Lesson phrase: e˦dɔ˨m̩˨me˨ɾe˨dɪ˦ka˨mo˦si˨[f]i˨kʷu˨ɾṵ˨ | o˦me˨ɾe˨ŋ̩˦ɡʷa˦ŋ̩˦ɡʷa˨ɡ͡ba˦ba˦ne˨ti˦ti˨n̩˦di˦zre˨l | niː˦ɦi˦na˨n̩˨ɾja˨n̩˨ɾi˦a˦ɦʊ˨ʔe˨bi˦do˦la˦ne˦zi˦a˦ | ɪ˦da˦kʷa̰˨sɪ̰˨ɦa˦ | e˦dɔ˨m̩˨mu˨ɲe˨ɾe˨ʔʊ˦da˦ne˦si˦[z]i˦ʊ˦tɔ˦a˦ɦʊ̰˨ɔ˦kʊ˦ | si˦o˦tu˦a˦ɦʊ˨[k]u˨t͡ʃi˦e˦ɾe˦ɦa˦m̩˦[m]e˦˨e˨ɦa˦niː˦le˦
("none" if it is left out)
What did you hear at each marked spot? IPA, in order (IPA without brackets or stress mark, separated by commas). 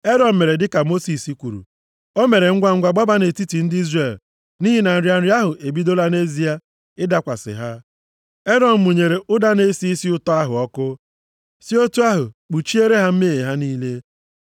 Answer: s, s, k͡p, m